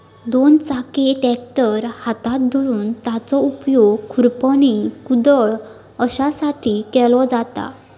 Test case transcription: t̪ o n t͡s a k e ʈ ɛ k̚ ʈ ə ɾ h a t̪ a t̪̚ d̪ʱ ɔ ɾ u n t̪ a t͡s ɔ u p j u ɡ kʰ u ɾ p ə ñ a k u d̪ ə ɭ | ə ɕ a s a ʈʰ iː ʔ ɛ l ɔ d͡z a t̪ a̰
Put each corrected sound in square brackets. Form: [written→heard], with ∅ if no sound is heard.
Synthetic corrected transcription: [t̪→d̪] o n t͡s a k e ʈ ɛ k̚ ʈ ə ɾ h a t̪ a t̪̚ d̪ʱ ɔ ɾ [u→uː] n t̪ a t͡s ɔ u p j [u→o] ɡ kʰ u ɾ p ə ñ [a→i] k u d̪ ə ɭ | ə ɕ a s a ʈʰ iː [ʔ→k] ɛ l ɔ d͡z a t̪ a̰